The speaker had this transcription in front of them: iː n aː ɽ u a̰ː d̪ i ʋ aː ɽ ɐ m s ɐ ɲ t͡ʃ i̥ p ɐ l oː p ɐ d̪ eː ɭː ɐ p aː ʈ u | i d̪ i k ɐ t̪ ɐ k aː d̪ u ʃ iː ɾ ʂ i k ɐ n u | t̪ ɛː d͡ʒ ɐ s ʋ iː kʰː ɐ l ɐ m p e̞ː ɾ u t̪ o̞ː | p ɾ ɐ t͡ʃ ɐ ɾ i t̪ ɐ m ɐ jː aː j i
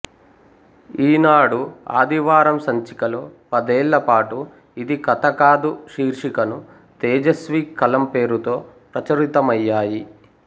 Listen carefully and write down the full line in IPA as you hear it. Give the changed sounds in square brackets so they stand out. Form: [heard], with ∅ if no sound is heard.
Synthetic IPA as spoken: iː n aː ɽ u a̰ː d̪ i ʋ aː [ɾ] ɐ m s ɐ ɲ t͡ʃ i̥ [k] ɐ l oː p ɐ d̪ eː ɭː ɐ p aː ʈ u | i d̪ i k ɐ t̪ ɐ k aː d̪ u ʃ iː ɾ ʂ i k ɐ n u | t̪ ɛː d͡ʒ ɐ s ʋ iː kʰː ɐ l ɐ m p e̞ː ɾ u t̪ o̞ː | p ɾ ɐ t͡ʃ ɐ ɾ i t̪ ɐ m ɐ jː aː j i